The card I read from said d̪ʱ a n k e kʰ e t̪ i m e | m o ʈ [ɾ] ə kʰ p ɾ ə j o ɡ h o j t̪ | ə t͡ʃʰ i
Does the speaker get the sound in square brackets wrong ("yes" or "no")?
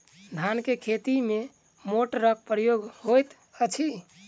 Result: no